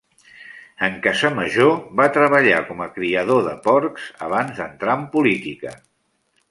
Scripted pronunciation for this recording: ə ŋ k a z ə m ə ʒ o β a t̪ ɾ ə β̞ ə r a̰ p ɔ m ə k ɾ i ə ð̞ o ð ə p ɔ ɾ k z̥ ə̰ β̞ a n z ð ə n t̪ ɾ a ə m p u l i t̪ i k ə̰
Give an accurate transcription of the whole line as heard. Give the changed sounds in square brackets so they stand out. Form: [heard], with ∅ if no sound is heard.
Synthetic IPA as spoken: ə ŋ k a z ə m ə ʒ o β a t̪ ɾ ə β̞ ə [ʎ] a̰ [k] ɔ m ə k ɾ i ə ð̞ o ð ə p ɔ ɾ k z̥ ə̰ β̞ a n z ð ə n t̪ ɾ a ə m p u l i t̪ i k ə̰